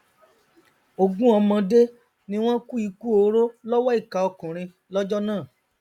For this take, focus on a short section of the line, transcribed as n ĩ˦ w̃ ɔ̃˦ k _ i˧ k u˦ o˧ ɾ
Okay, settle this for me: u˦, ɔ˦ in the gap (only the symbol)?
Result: u˦